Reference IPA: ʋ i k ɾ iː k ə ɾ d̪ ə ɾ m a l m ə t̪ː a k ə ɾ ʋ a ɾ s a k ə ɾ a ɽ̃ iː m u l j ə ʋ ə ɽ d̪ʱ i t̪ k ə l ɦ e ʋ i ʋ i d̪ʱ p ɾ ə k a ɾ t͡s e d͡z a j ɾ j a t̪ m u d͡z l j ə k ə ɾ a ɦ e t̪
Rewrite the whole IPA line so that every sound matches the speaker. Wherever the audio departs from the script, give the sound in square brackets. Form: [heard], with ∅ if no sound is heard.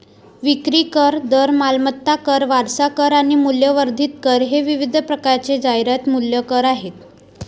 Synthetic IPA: ʋ i k ɾ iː k ə ɾ d̪ ə ɾ m a l m ə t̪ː a k ə ɾ ʋ a ɾ s a k ə ɾ a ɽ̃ [i] m u l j ə ʋ ə [ɾ] d̪ʱ i t̪ k ə [ɾ] ɦ e ʋ i ʋ i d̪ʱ p ɾ ə k a ɾ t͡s e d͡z a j ɾ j a t̪ m u [∅] l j ə k ə ɾ a ɦ e t̪